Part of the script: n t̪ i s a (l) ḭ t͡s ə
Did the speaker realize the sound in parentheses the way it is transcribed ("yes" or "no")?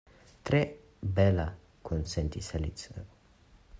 yes